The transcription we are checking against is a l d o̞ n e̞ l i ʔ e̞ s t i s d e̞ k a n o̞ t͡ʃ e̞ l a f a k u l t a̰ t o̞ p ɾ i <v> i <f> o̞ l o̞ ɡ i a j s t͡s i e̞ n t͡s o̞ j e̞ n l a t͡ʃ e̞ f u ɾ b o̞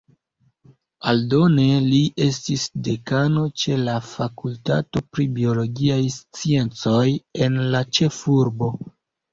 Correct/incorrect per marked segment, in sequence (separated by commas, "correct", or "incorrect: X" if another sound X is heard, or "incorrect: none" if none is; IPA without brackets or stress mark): incorrect: b, incorrect: none